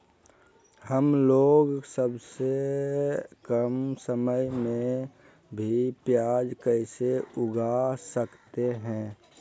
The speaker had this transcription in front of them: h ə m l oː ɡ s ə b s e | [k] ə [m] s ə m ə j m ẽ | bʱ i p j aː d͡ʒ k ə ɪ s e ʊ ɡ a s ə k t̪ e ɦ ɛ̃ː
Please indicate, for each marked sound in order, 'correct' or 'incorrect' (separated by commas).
correct, correct